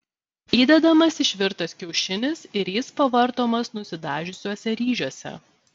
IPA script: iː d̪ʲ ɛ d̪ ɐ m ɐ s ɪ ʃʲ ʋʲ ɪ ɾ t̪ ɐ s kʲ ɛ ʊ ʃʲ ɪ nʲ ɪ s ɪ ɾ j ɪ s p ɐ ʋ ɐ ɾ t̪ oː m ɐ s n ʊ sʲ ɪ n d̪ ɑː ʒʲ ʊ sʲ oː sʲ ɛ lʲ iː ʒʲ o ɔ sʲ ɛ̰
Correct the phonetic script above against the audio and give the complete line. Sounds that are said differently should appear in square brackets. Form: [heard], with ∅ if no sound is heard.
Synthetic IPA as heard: iː d̪ʲ ɛ d̪ ɐ m ɐ s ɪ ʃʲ ʋʲ ɪ ɾ t̪ ɐ s kʲ ɛ ʊ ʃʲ ɪ nʲ ɪ s ɪ ɾ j ɪ s p ɐ ʋ ɐ ɾ t̪ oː m ɐ s n ʊ sʲ ɪ [∅] d̪ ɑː ʒʲ ʊ sʲ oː sʲ ɛ [ɾʲ] iː ʒʲ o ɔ sʲ ɛ̰